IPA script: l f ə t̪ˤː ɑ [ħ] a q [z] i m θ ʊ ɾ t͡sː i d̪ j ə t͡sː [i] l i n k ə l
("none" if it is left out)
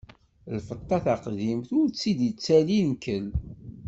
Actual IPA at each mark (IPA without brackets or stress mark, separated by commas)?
θ, ð, æ